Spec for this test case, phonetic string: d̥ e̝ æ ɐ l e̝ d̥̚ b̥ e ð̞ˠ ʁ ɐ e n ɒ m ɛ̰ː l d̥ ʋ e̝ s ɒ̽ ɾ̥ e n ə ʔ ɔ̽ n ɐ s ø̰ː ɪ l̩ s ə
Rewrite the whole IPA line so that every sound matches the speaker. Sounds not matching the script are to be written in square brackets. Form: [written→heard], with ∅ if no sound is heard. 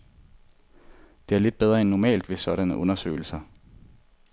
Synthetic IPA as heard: d̥ e̝ æ ɐ l e̝ d̥̚ b̥ e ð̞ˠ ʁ ɐ e [n→nː] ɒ m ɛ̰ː l d̥ ʋ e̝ s ɒ̽ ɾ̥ [e→æ] n ə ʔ ɔ̽ n ɐ s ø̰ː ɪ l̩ s [ə→ɐ]